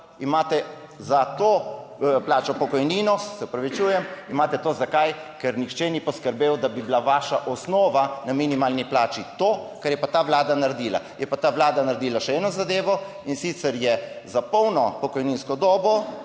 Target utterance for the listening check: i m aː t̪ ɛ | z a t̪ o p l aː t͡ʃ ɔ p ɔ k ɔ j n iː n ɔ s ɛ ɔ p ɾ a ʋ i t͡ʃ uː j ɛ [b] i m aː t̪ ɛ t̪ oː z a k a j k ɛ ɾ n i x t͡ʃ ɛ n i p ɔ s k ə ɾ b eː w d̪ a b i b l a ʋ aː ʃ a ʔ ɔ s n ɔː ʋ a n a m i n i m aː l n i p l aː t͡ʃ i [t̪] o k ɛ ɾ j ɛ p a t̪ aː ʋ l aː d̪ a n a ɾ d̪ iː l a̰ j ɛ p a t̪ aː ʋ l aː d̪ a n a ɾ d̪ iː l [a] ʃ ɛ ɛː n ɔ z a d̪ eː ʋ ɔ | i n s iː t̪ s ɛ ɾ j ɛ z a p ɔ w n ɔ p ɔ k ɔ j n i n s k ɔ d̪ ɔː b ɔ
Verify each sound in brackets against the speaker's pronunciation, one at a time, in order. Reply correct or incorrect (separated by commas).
incorrect, correct, correct